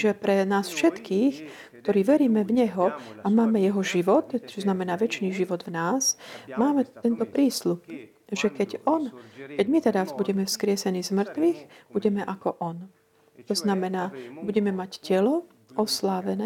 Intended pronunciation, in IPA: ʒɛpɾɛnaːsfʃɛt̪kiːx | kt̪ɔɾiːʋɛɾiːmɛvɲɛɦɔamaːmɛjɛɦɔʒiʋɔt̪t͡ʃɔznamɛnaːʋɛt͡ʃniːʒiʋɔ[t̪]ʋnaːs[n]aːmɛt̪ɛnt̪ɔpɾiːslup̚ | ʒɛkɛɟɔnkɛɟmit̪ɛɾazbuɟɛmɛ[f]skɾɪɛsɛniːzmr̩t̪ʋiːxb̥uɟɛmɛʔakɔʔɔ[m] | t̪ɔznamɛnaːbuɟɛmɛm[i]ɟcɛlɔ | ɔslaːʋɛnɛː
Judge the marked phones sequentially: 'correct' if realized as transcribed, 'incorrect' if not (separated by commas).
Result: incorrect, incorrect, correct, incorrect, incorrect